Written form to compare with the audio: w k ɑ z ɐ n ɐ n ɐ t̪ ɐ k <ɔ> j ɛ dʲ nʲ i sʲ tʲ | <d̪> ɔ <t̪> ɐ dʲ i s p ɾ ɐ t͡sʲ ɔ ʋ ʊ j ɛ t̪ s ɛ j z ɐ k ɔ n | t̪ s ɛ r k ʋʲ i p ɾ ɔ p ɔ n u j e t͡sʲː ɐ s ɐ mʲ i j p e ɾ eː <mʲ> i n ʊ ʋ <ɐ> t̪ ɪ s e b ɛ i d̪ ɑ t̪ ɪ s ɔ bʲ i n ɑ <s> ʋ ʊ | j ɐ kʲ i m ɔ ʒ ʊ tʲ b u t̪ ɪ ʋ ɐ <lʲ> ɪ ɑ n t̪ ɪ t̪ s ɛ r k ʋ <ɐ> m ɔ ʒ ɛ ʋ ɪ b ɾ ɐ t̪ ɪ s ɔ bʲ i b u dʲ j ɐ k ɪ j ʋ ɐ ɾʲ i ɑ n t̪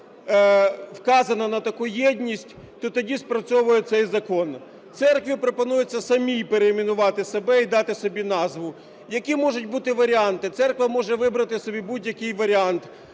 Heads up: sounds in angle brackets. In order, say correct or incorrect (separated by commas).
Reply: incorrect, incorrect, correct, correct, incorrect, incorrect, incorrect, correct